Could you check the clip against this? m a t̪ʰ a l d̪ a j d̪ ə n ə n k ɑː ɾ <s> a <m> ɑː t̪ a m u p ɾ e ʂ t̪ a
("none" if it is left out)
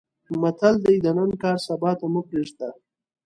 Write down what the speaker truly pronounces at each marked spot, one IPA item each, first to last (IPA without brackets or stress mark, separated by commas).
s, b